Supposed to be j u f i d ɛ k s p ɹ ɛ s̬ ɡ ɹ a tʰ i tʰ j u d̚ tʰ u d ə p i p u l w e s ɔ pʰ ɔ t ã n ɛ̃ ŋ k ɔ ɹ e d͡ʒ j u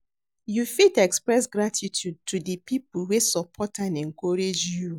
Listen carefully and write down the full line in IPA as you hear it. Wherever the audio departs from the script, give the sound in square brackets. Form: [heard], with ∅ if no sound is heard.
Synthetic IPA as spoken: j u f i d ɛ k s p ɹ ɛ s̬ ɡ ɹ a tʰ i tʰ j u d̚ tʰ u d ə p i p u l w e s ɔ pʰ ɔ t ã n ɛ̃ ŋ k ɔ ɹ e d͡ʒ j u